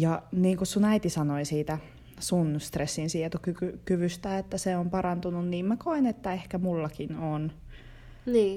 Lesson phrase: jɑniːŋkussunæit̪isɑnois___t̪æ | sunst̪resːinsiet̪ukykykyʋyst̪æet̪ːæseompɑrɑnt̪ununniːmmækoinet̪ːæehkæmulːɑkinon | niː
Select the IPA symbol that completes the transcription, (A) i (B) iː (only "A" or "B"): B